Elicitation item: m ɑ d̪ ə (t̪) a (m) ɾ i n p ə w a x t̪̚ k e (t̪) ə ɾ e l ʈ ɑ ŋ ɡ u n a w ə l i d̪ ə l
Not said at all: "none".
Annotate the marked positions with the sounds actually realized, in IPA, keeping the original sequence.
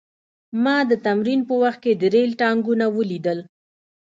t̪, m, d̪

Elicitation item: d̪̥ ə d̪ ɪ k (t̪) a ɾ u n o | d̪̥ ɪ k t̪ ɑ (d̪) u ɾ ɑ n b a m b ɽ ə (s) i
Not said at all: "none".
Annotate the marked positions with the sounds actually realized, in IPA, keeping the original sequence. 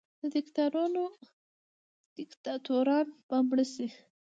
t̪, t̪, s

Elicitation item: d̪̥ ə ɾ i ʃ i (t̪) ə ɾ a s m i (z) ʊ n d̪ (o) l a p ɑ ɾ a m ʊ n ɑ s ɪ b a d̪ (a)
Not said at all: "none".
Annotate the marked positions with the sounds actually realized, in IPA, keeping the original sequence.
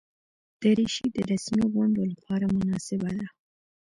d̪, ɣ, o, a

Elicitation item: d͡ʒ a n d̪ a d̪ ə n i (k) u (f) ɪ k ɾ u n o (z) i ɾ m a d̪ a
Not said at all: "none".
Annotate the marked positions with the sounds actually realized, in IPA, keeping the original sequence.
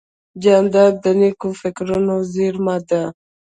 k, f, z

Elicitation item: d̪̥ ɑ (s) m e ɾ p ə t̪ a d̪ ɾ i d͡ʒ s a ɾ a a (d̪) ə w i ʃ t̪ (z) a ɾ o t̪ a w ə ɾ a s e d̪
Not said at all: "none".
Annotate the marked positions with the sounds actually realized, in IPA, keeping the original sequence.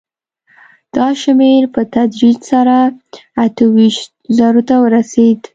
ʃ, t̪, z

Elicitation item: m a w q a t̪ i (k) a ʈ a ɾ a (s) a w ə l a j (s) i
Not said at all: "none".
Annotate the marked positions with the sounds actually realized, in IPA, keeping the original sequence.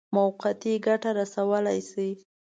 ɡ, s, s

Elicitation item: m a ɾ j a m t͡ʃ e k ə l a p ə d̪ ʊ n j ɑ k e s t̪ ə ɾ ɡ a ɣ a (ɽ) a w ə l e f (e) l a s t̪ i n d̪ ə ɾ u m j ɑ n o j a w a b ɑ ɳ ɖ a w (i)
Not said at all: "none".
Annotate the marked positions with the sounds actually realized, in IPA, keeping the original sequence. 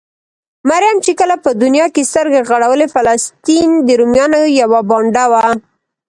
ɽ, a, a

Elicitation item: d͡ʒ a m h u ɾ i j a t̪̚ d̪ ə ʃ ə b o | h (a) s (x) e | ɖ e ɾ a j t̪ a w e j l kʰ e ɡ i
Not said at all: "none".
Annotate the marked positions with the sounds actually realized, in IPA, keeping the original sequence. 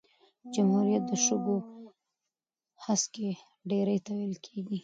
a, k

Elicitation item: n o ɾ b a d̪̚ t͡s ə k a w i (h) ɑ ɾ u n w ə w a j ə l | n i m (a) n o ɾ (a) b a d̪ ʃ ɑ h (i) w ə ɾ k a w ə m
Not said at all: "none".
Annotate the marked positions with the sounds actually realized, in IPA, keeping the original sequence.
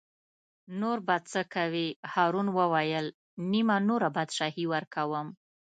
h, a, a, i

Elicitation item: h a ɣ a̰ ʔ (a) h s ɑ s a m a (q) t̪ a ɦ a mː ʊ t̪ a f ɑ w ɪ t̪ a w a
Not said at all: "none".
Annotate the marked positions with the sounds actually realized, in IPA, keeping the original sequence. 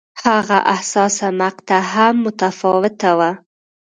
a, q

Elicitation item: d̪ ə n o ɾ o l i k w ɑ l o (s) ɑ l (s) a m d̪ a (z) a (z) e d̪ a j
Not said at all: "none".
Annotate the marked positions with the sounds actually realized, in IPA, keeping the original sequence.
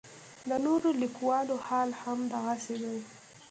h, h, ɣ, s

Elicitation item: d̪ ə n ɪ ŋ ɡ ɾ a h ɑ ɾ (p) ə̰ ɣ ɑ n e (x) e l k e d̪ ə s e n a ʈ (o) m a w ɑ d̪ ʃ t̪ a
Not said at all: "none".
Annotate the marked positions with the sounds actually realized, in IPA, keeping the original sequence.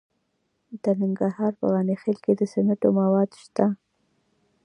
p, x, o

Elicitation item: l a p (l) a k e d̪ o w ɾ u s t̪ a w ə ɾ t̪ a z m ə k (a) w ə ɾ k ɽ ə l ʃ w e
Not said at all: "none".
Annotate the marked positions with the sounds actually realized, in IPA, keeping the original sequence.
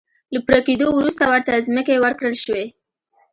ɾ, e

